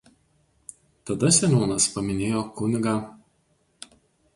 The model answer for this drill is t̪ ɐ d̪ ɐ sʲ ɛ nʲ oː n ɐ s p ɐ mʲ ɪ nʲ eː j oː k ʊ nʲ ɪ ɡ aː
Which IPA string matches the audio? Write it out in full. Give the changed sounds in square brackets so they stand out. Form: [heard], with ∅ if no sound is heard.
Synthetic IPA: t̪ ɐ d̪ ɐ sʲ ɛ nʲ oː n ɐ s p ɐ mʲ ɪ nʲ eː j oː k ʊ nʲ ɪ ɡ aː

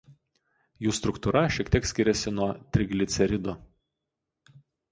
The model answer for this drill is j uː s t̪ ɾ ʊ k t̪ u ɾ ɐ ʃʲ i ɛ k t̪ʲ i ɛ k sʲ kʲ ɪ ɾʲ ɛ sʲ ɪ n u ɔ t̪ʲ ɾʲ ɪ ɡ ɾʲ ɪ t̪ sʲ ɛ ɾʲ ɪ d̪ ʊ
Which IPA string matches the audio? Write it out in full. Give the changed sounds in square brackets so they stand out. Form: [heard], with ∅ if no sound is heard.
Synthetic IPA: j uː s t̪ ɾ ʊ k t̪ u ɾ ɐ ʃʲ i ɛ k t̪ʲ i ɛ k sʲ kʲ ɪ ɾʲ ɛ sʲ ɪ n u ɔ t̪ʲ ɾʲ ɪ ɡ [lʲ] ɪ t̪ sʲ ɛ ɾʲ ɪ d̪ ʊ

